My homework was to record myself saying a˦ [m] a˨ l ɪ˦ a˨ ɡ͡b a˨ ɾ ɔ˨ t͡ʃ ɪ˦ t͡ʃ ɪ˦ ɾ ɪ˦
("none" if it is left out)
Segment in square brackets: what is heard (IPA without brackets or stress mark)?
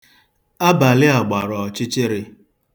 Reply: b